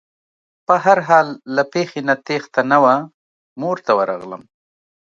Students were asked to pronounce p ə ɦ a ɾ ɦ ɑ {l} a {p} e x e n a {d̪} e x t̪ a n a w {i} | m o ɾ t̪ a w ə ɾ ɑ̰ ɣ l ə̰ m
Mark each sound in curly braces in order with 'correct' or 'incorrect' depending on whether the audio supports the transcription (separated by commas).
incorrect, correct, incorrect, incorrect